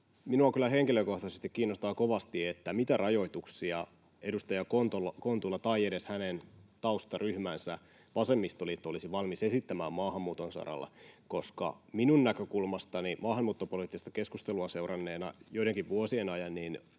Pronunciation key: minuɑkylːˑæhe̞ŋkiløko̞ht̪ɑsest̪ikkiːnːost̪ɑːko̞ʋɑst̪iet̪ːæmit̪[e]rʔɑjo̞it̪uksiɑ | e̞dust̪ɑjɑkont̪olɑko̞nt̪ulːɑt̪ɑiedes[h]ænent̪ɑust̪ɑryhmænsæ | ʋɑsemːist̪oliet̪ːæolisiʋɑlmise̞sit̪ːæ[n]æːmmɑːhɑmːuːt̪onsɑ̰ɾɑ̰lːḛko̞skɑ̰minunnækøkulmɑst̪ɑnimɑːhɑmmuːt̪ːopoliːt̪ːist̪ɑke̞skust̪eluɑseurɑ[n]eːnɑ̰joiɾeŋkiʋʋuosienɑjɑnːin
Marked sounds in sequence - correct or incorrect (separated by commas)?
incorrect, correct, incorrect, incorrect